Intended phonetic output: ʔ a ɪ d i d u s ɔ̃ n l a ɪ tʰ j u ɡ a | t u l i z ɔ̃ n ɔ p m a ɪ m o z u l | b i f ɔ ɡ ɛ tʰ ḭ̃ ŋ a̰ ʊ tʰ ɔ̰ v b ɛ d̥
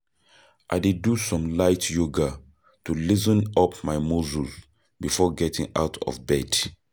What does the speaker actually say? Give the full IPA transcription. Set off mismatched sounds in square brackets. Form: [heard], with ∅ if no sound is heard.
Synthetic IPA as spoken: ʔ a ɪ d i d u s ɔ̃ [m] l a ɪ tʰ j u ɡ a | t u l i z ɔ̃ n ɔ p m a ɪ m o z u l | b i f ɔ ɡ ɛ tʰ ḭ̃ ŋ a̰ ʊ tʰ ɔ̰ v b ɛ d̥